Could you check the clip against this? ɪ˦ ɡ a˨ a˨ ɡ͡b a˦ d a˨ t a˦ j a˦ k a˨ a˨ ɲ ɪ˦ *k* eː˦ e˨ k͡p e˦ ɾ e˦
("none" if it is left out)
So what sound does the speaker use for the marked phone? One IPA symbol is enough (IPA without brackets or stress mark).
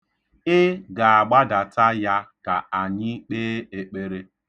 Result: k͡p